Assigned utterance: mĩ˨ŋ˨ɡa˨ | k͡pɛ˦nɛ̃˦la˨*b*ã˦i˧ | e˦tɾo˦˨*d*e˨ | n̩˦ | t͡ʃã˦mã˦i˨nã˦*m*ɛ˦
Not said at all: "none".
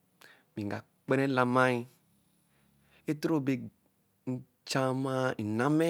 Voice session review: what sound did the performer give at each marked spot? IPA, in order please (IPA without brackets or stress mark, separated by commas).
m, b, m